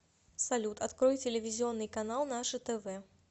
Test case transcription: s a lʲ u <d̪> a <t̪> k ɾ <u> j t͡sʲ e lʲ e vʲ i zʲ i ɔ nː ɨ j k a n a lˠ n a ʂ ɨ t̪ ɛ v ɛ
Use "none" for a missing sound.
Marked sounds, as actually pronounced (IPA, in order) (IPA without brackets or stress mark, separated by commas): t̪, t̪, ɔ